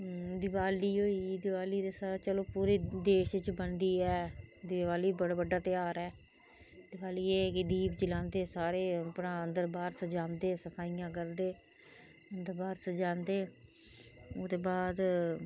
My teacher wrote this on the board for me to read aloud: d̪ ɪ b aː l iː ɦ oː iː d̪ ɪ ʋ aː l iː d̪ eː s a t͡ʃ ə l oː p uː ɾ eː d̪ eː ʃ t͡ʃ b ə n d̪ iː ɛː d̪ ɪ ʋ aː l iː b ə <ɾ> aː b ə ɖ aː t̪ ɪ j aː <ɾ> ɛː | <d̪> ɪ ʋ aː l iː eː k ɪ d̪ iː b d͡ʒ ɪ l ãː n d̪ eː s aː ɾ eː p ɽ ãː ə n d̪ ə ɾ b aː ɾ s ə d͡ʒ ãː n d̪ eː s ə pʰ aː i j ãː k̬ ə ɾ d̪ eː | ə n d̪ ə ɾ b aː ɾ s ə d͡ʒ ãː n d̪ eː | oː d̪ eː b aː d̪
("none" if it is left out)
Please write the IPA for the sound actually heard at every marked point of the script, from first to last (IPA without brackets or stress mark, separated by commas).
ɽ, ɾ, d̪